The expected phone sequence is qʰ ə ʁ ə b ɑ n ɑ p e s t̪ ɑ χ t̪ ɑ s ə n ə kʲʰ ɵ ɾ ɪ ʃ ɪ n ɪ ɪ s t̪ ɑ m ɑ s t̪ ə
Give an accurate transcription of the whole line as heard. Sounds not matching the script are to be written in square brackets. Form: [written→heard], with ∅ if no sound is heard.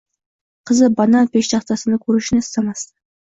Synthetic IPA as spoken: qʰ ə [ʁ→z] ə b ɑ n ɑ p e [s→ʃ] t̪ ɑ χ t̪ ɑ s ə n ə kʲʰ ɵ ɾ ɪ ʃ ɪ n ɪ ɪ s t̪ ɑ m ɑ s t̪ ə